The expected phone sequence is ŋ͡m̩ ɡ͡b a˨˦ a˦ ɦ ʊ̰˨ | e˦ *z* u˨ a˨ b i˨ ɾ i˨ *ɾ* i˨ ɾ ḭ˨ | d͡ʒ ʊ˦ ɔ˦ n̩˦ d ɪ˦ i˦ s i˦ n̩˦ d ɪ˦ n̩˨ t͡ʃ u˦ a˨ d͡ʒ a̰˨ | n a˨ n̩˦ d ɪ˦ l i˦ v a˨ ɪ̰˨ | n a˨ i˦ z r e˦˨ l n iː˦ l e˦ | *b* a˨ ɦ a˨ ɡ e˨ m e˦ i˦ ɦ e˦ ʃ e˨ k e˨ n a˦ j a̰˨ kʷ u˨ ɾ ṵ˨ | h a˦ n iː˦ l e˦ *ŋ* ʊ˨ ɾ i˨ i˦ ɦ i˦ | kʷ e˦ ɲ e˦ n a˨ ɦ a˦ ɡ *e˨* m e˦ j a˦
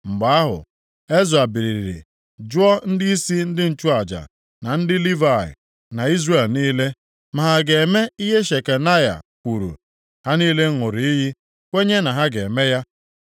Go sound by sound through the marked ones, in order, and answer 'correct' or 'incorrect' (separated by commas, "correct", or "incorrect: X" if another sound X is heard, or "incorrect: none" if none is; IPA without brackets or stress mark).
correct, correct, incorrect: m, correct, correct